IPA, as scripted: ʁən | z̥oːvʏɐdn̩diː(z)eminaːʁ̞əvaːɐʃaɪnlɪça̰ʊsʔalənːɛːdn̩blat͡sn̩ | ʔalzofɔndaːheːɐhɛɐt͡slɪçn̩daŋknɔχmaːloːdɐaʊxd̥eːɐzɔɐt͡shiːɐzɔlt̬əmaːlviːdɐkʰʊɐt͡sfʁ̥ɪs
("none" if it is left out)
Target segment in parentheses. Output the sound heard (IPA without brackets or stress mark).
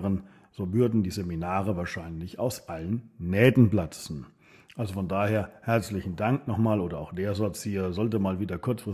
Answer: z